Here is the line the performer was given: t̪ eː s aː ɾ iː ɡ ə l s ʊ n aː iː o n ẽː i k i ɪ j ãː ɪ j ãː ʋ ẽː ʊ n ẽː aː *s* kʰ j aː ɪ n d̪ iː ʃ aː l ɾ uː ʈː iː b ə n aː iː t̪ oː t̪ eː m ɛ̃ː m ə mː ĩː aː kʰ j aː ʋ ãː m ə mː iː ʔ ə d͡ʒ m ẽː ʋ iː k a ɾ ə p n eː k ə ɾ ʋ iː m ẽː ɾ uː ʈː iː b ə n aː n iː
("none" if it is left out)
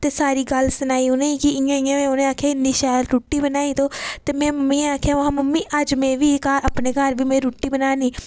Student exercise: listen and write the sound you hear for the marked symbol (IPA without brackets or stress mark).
none